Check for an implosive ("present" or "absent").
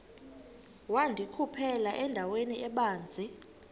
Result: present